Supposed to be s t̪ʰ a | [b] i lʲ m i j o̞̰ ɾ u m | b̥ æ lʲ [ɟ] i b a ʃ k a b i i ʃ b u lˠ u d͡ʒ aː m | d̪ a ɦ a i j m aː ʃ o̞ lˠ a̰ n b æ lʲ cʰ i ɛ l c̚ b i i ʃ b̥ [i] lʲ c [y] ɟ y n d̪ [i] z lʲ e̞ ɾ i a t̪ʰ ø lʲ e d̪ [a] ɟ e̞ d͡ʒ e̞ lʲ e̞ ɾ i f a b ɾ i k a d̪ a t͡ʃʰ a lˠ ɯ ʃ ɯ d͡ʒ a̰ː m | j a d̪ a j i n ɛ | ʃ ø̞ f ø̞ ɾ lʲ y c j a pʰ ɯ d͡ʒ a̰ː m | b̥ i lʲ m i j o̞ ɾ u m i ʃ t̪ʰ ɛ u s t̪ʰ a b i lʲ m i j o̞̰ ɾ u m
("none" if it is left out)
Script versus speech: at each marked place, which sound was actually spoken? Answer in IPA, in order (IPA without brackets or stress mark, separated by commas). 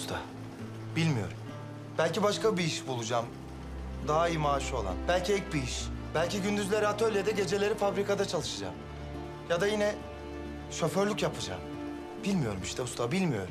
b, c, æ, i, y, ɛ